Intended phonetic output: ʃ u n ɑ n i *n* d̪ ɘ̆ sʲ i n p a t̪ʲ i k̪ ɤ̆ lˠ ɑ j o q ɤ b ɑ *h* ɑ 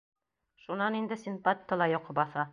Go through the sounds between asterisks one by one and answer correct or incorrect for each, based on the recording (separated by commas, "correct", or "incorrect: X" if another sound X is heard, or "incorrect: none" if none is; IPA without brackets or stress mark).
correct, incorrect: θ